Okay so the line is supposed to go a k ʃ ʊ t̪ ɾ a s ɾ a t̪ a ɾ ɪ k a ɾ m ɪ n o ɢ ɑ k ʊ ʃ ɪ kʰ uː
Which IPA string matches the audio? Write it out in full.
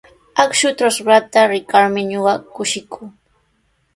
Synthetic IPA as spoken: a k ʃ ʊ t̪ ɾ a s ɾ a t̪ a ɾ ɪ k a ɾ m ɪ ɲ o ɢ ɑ k ʊ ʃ ɪ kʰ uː